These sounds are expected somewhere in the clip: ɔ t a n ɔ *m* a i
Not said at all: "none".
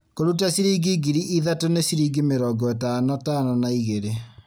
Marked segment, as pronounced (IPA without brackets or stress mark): n